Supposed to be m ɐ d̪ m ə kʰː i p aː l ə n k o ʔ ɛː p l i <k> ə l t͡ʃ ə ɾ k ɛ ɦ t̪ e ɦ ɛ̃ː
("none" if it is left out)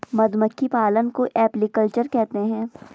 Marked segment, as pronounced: k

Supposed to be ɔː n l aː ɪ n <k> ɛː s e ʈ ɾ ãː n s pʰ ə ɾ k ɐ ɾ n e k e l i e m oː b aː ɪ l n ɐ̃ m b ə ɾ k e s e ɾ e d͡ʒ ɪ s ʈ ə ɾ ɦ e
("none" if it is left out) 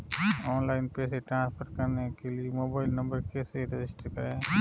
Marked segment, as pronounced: p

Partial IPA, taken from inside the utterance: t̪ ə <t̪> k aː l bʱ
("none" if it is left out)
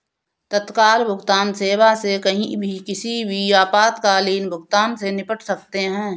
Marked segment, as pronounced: t̪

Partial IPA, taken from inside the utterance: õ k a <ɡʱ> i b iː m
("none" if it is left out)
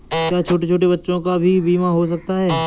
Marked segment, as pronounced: bʱ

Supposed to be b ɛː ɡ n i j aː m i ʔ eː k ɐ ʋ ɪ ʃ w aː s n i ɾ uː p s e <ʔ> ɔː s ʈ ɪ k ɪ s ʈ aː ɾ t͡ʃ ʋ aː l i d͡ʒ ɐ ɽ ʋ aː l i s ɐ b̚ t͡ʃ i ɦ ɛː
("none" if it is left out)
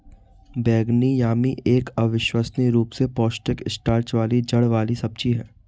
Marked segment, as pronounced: p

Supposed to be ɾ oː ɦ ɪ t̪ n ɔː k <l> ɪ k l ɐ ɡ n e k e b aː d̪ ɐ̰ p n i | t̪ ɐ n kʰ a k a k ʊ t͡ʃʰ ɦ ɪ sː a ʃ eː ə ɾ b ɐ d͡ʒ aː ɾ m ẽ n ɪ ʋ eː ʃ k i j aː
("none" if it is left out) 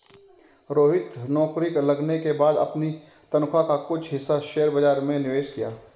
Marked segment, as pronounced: ɾ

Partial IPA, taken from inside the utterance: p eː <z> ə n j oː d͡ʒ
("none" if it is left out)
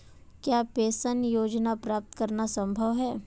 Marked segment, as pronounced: s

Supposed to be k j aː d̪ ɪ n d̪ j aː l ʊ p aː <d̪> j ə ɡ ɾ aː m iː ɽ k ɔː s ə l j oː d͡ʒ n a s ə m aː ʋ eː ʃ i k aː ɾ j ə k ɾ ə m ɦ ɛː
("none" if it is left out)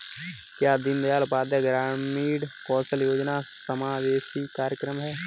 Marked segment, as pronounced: d̪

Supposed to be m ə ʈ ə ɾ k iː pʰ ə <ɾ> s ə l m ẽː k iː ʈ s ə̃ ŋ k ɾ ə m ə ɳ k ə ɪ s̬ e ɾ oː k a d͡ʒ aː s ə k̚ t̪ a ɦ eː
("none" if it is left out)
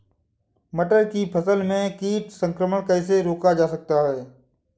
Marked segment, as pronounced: none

